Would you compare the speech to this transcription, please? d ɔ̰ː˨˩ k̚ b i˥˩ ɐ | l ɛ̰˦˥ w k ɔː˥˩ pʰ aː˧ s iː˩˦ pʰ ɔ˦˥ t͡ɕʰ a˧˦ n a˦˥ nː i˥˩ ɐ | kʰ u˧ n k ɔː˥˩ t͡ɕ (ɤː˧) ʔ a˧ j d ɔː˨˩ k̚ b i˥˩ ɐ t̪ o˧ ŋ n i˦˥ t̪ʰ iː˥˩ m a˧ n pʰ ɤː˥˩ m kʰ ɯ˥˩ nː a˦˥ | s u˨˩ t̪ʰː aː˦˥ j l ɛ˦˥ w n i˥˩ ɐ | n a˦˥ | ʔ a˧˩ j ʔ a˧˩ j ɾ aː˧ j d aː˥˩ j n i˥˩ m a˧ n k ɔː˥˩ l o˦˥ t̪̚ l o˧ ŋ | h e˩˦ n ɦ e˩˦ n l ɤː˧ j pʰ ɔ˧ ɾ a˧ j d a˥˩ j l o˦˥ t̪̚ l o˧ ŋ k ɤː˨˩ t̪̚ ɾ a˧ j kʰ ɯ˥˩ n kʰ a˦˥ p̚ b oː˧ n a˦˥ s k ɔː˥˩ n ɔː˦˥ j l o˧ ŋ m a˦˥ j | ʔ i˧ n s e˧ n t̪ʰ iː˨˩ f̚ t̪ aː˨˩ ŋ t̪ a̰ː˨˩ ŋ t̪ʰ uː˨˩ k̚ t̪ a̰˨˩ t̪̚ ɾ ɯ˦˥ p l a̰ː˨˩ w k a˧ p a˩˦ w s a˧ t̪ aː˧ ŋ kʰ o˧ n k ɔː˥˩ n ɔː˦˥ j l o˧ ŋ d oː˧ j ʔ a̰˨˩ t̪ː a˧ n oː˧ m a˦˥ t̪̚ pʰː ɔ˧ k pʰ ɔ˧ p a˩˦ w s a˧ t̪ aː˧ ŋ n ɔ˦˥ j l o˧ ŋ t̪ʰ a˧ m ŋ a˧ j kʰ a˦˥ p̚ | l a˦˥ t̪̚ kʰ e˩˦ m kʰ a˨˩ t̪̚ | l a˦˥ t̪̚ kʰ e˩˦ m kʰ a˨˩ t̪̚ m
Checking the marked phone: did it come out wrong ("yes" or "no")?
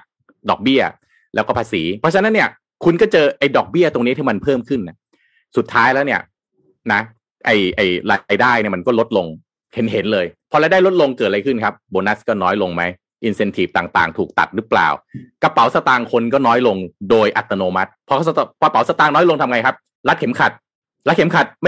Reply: no